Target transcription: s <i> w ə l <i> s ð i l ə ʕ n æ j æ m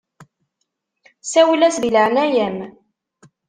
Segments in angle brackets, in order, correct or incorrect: incorrect, incorrect

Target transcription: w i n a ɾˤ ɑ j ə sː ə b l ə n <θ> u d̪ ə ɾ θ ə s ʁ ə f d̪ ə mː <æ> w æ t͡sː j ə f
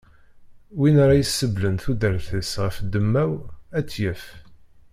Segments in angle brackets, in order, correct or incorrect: correct, correct

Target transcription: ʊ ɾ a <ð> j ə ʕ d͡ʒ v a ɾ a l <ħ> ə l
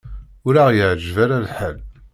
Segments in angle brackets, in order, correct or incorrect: incorrect, correct

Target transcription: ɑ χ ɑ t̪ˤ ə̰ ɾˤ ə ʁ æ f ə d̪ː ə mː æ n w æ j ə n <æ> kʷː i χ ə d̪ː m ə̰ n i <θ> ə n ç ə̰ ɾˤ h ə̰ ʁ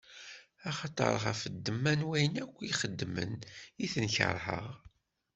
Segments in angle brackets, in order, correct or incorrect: correct, correct

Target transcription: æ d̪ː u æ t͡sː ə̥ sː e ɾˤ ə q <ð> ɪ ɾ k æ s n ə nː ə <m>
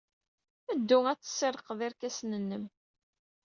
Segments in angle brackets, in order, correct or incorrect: correct, correct

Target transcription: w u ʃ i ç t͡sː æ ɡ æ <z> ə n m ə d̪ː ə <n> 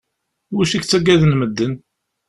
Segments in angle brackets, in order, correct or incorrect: incorrect, correct

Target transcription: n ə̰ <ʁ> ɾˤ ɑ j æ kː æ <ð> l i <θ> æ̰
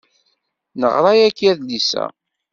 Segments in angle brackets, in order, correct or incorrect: correct, correct, incorrect

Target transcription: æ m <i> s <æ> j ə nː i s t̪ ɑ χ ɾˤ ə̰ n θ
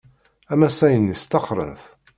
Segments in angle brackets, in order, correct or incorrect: incorrect, correct

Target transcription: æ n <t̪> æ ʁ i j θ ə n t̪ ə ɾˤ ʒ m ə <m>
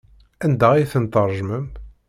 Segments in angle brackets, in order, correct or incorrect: incorrect, correct

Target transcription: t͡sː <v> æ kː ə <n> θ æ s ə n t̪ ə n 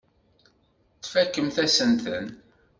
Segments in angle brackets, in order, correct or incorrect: incorrect, incorrect

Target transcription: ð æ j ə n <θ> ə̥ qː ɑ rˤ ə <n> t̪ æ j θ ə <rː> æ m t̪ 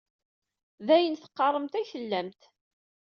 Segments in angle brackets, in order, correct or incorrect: correct, incorrect, incorrect

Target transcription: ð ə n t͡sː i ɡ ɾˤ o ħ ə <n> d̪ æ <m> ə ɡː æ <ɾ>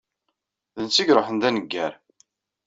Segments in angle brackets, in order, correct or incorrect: correct, incorrect, correct

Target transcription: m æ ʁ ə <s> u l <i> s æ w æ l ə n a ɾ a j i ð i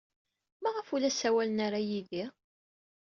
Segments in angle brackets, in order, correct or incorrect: incorrect, incorrect

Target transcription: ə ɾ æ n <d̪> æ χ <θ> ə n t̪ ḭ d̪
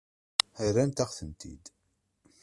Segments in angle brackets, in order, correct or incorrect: incorrect, correct

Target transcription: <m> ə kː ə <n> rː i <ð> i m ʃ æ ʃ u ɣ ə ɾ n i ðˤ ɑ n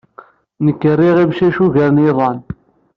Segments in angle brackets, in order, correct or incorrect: incorrect, incorrect, incorrect

